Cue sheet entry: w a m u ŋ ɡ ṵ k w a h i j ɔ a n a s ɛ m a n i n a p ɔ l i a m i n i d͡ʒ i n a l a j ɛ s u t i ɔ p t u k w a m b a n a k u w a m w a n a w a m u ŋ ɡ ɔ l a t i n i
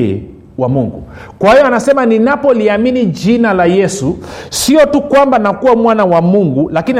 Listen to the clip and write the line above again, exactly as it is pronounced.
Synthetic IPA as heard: w a m u ŋ ɡ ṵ k w a h i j ɔ a n a s ɛ m a n i n a p ɔ l i a m i n i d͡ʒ i n a l a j ɛ s u s i ɔ t u k w a m b a n a k u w a m w a n a w a m u ŋ ɡ u l a k i n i